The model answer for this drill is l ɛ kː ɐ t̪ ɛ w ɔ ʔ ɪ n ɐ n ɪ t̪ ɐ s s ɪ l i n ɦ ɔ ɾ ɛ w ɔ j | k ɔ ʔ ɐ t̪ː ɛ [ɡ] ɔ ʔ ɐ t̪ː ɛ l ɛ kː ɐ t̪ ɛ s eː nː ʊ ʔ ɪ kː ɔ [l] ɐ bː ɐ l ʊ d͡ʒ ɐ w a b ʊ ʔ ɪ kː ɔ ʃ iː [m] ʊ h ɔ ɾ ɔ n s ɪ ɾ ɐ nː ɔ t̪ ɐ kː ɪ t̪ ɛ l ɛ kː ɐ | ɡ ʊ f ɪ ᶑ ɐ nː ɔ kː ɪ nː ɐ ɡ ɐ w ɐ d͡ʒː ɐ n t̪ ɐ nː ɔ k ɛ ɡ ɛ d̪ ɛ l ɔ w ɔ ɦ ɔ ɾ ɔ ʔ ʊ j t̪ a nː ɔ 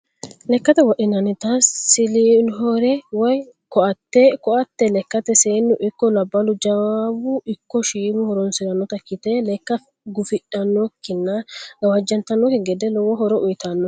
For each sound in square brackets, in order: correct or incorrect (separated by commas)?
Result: incorrect, correct, correct